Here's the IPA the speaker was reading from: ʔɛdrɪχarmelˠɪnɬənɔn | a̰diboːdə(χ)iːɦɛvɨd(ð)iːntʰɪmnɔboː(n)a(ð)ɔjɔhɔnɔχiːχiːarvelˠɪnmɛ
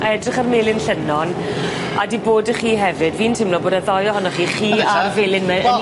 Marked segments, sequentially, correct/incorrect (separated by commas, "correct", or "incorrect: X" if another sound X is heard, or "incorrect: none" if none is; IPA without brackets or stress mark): correct, incorrect: v, incorrect: d, correct